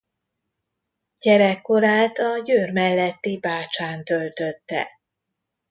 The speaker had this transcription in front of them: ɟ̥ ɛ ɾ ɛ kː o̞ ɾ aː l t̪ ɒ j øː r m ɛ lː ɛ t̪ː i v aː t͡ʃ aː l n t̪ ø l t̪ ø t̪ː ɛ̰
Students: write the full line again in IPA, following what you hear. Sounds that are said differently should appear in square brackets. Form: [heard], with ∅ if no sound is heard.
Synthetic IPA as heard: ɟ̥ ɛ ɾ ɛ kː o̞ ɾ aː l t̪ ɒ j øː r m ɛ lː ɛ t̪ː i [b] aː t͡ʃ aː [∅] n t̪ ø l t̪ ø t̪ː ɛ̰